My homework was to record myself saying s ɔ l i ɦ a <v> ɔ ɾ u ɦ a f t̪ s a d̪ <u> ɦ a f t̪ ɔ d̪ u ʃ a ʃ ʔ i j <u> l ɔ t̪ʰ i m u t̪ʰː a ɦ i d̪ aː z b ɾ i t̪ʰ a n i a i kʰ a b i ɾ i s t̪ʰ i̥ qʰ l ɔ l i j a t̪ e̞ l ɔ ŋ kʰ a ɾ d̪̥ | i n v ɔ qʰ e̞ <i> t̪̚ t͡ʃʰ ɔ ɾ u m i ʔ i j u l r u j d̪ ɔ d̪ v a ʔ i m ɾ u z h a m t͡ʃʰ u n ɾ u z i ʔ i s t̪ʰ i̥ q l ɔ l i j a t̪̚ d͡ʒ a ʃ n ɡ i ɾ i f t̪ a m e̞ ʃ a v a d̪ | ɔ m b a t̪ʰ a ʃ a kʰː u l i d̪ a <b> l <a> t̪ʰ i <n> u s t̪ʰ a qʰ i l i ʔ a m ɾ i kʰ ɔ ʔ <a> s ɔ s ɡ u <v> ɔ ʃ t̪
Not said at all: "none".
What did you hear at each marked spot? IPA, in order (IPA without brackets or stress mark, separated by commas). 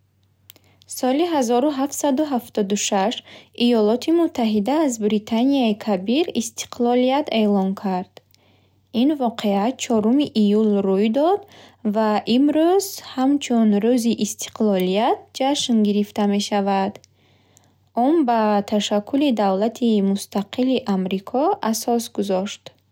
z, u, ɔ, a, v, a, m, a, z